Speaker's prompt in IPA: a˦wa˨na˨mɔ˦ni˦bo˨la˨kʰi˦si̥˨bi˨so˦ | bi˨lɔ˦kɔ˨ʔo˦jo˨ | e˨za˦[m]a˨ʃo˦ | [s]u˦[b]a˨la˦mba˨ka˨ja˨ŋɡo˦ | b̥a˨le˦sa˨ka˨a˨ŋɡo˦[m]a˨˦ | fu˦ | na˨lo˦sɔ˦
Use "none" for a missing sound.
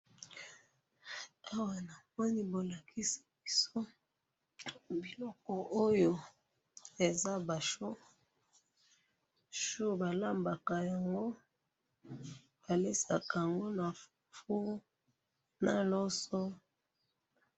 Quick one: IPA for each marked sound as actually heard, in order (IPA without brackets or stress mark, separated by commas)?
b, ʃ, b, n